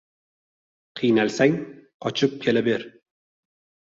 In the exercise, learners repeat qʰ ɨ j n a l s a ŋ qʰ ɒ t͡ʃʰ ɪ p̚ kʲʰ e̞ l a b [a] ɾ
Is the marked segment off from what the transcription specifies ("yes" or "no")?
yes